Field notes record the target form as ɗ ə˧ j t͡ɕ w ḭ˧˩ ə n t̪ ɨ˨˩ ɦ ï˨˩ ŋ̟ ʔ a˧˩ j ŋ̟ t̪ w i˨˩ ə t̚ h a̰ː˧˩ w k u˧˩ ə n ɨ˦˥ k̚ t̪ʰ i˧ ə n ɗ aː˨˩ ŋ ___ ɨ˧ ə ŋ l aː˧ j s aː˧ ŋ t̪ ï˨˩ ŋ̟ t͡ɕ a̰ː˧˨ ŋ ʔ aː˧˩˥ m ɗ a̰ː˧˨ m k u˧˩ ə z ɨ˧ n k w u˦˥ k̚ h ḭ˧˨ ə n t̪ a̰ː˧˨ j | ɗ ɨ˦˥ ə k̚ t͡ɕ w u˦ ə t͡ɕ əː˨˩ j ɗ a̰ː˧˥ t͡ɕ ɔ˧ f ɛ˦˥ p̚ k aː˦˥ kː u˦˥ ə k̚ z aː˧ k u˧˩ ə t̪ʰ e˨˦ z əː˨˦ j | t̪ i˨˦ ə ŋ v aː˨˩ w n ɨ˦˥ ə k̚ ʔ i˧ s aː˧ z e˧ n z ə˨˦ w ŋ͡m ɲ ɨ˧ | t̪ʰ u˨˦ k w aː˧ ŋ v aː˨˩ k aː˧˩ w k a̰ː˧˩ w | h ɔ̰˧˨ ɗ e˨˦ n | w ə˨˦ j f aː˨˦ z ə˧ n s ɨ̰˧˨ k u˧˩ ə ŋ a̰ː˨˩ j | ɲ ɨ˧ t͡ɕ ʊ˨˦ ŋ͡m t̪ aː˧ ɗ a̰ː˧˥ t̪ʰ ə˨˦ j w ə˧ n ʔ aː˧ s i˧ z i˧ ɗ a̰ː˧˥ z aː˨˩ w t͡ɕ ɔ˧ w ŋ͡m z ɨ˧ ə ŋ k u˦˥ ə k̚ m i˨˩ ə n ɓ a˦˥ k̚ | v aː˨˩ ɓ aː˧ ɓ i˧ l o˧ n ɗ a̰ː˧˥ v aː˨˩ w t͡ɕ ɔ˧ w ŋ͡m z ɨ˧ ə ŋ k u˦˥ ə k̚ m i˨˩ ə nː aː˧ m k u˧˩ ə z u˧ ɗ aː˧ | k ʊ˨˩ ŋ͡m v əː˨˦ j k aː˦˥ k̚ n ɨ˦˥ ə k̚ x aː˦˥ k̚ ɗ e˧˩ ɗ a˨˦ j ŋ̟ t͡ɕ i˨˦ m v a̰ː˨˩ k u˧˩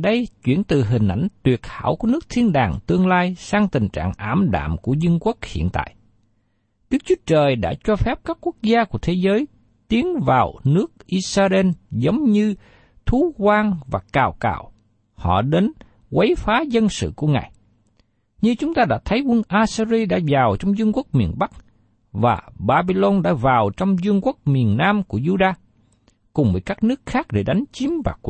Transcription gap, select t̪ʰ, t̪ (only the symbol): t̪